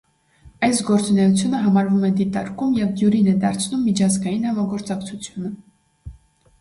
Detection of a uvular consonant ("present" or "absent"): absent